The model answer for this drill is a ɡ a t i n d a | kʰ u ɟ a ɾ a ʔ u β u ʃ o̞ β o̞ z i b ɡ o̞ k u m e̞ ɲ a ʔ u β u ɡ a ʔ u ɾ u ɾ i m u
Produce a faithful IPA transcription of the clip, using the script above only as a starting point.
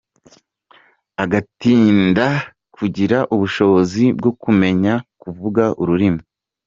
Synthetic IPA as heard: a ɡ a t iː n d a | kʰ u ɟ i ɾ a ʔ u β u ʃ o̞ β o̞ z i b ɡ o̞ k u m e̞ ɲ a k u v u ɡ a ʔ u ɾ u ɾ i m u